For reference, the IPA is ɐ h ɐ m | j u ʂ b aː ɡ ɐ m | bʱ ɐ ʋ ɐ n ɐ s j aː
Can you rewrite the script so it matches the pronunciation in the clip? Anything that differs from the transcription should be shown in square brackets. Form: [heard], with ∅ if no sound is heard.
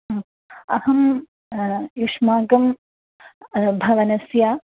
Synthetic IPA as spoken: ɐ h ɐ m | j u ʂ [m] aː ɡ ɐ m | bʱ ɐ ʋ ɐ n ɐ s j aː